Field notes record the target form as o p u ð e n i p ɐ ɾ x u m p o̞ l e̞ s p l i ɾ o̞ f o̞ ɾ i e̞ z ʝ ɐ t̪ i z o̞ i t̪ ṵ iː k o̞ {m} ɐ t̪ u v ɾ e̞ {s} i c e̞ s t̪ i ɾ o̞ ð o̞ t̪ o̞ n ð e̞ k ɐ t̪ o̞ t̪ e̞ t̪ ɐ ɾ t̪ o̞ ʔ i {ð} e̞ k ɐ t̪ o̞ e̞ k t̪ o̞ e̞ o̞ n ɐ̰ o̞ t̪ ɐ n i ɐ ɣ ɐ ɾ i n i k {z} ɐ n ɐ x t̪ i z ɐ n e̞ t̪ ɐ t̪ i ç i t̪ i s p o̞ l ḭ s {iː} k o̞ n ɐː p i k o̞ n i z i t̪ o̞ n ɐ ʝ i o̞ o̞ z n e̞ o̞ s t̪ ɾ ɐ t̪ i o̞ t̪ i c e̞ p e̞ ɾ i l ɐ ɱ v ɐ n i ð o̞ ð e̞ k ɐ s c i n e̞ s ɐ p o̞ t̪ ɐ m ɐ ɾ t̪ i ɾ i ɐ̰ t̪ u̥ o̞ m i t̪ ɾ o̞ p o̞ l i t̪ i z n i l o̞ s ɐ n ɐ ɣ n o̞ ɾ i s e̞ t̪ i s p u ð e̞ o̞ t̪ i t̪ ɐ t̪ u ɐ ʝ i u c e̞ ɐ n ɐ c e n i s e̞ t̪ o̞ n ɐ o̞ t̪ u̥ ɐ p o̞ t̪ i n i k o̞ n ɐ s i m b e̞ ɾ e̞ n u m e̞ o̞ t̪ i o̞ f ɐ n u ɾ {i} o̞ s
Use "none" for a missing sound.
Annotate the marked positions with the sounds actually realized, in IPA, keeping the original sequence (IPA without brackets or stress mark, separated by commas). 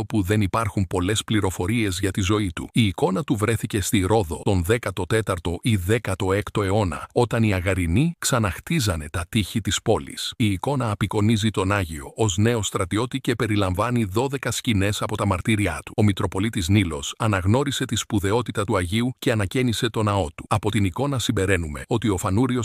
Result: n, θ, ð, s, iː, i